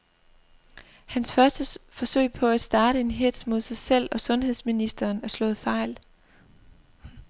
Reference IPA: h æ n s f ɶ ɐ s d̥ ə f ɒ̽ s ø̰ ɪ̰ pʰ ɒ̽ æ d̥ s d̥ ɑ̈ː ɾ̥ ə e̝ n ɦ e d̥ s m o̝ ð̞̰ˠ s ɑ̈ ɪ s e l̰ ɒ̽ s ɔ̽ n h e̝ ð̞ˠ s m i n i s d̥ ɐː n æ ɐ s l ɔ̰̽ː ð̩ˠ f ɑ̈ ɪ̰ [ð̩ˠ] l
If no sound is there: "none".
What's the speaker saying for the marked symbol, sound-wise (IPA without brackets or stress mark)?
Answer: none